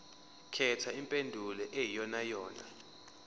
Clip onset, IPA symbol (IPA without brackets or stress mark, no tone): kʰ